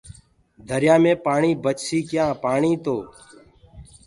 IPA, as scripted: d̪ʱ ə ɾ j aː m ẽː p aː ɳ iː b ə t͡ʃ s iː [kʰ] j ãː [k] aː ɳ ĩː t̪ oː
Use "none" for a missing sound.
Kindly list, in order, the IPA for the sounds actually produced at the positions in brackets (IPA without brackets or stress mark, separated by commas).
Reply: k, p